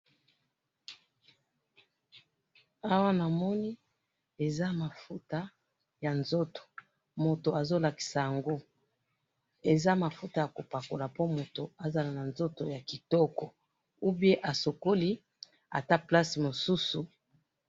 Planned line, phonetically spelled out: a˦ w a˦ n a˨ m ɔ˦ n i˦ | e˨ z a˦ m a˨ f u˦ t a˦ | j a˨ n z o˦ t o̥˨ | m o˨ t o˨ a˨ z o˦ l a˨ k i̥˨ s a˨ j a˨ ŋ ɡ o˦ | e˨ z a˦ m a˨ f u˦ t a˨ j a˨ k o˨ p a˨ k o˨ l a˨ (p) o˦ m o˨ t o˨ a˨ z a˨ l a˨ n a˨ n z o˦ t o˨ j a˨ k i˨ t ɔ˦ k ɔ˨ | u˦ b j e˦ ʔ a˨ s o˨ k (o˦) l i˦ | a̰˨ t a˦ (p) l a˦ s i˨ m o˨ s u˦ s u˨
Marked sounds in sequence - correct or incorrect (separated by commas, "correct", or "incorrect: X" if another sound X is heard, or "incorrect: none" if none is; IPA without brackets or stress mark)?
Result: correct, correct, correct